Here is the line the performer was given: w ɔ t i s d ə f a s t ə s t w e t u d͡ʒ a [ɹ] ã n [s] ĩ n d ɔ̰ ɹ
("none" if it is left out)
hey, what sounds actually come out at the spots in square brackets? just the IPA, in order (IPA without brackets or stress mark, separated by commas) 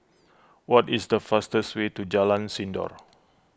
l, s